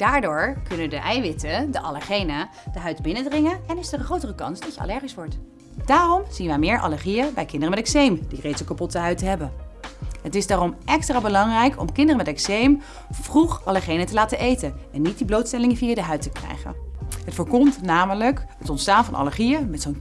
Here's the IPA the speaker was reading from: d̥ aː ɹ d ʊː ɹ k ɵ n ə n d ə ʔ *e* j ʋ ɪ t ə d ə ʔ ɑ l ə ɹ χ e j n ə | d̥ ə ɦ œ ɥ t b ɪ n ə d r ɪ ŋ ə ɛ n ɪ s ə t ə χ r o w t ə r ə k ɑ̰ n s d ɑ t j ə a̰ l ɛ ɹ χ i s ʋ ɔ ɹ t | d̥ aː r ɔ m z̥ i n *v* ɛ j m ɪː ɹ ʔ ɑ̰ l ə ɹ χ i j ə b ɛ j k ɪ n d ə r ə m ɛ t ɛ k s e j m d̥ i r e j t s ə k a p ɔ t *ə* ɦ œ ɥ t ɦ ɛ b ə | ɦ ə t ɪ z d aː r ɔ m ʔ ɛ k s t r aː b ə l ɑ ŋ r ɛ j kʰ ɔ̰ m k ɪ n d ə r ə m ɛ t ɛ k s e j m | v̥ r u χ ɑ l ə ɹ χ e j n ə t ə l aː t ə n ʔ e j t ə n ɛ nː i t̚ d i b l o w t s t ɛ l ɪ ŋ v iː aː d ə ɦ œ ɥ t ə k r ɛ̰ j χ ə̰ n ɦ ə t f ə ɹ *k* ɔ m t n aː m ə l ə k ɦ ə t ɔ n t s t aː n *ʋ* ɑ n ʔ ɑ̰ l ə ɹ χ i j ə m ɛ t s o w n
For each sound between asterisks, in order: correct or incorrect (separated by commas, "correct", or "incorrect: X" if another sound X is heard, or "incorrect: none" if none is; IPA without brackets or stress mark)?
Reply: incorrect: ɛ, incorrect: ʋ, correct, correct, incorrect: v